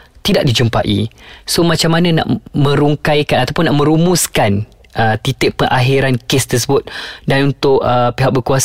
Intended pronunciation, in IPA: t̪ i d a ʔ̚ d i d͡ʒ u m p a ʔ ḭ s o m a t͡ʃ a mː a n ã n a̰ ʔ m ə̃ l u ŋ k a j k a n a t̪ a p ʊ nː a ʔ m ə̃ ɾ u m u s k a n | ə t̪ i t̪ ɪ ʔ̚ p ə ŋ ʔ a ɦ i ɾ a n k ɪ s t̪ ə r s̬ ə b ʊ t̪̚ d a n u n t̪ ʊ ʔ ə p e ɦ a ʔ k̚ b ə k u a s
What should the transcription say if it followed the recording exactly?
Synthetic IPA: t̪ i d a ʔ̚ d i d͡ʒ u m p a ʔ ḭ s o m a t͡ʃ a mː a n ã n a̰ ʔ m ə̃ ɾ u ŋ k a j k a n a t̪ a p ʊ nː a ʔ m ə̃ ɾ u m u s k a n | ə t̪ i t̪ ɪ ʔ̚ p ə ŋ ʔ a ɦ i ɾ a n k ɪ s t̪ ə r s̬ ə b ʊ t̪̚ d a n u n t̪ ʊ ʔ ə p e ɦ a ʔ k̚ b ə k u a s